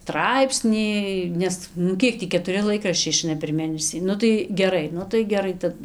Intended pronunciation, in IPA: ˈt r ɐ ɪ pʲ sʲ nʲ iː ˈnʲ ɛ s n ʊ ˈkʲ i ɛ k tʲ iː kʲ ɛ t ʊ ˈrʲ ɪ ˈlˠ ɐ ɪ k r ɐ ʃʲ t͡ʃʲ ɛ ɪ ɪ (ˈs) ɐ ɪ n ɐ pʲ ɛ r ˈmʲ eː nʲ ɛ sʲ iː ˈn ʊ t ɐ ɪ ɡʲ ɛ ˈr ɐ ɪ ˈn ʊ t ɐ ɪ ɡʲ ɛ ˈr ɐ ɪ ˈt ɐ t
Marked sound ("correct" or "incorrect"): incorrect